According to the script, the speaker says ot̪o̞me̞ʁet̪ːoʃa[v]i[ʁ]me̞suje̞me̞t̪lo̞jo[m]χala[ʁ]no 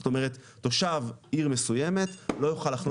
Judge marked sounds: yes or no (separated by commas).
yes, yes, no, no